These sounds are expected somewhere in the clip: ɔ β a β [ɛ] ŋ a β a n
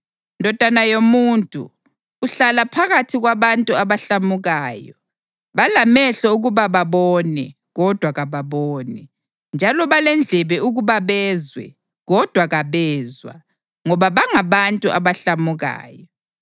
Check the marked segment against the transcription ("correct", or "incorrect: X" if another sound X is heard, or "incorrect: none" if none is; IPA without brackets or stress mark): incorrect: a